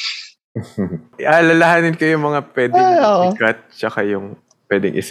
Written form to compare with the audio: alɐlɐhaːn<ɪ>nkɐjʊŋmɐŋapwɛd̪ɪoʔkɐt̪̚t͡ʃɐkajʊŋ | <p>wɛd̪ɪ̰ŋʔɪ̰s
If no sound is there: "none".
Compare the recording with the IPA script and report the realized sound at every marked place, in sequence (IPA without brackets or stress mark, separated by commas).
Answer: ɪ, p